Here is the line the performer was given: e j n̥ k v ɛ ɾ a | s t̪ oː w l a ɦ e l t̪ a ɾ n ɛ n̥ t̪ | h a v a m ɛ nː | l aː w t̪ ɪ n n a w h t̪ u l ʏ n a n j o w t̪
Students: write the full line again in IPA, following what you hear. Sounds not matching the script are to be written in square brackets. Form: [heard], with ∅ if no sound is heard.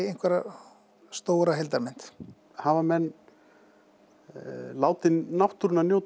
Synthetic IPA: e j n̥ k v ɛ ɾ a | s t̪ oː w [ɾ] a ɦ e l t̪ a ɾ [m] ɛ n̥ t̪ | h a v a m ɛ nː | l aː w t̪ ɪ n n a w h t̪ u [ɾ] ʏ n a n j o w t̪